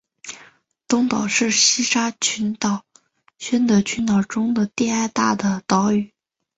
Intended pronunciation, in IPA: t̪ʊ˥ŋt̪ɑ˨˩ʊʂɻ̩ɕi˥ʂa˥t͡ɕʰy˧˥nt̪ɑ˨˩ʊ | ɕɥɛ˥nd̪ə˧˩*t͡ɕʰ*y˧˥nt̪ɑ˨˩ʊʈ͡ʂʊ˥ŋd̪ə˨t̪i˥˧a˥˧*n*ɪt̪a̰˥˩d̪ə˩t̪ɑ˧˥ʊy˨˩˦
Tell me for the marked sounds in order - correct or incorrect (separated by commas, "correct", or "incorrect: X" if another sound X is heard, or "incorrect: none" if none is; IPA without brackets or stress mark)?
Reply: correct, incorrect: none